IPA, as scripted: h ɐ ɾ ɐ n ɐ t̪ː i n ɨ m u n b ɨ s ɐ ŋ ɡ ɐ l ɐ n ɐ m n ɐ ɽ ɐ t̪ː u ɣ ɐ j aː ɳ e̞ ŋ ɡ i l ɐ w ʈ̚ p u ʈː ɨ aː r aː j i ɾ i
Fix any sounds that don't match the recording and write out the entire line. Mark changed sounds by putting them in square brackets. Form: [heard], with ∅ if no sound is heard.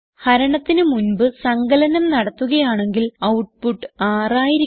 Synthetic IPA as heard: h ɐ ɾ ɐ [ɳ] ɐ t̪ː i n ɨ m u n b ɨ s ɐ ŋ ɡ ɐ l ɐ n ɐ m n ɐ ɽ ɐ t̪ː u ɣ ɐ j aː ɳ e̞ ŋ ɡ i l ɐ w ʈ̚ p u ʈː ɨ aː r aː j i ɾ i